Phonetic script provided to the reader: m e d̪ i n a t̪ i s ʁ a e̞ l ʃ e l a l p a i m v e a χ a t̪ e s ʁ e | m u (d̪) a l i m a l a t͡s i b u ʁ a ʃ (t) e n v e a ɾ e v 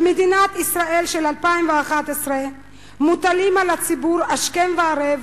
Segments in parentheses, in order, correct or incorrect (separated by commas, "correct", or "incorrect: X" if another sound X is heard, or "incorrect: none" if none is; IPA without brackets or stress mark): incorrect: t̪, incorrect: k